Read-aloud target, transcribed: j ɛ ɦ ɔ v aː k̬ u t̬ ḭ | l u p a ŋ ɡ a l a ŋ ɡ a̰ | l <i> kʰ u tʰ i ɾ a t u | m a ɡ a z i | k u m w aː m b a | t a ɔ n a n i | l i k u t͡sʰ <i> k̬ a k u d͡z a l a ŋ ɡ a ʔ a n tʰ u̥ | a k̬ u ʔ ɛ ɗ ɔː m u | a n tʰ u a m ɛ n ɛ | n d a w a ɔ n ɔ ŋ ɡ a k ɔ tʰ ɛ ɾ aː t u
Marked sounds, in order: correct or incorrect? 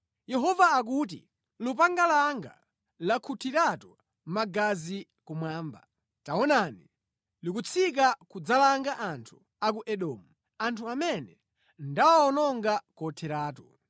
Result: incorrect, correct

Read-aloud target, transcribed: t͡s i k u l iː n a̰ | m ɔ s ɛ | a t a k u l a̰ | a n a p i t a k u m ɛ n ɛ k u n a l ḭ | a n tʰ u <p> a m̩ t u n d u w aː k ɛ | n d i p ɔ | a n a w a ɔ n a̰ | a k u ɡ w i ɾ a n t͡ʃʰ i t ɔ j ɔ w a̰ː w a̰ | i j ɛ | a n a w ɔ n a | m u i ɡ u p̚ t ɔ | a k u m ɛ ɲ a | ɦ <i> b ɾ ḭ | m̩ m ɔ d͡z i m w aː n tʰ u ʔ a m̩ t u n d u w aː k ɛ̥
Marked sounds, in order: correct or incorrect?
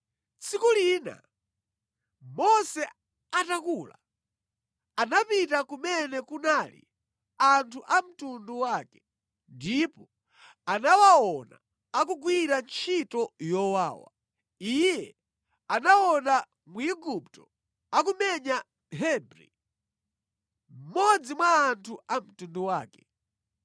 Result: incorrect, incorrect

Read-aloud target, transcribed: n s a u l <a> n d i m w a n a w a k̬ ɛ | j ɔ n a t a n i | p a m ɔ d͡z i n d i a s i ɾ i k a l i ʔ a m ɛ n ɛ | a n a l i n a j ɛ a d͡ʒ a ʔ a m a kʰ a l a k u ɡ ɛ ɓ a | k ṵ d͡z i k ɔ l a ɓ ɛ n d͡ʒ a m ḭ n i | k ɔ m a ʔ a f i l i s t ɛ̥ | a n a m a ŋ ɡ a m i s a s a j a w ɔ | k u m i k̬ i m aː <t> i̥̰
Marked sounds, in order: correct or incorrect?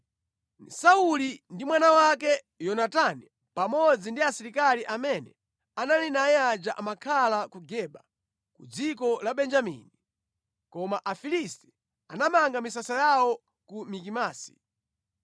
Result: incorrect, incorrect

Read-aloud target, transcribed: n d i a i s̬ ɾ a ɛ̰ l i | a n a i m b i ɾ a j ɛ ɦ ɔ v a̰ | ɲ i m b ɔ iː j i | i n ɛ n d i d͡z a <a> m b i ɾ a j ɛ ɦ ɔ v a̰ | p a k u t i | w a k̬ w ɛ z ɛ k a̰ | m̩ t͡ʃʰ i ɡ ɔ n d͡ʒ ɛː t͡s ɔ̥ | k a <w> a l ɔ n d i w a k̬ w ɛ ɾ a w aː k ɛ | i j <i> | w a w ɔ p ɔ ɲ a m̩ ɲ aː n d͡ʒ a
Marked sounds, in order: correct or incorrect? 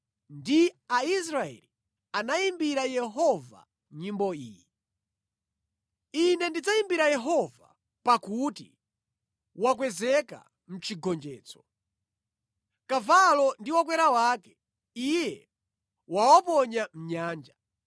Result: incorrect, incorrect, incorrect

